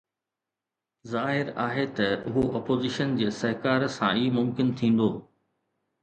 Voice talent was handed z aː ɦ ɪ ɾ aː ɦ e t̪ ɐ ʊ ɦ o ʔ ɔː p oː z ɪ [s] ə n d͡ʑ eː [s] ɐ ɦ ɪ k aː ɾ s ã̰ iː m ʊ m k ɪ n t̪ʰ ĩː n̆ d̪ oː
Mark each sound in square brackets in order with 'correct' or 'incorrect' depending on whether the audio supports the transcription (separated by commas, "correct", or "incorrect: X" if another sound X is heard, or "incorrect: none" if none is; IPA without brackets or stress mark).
incorrect: ʃ, correct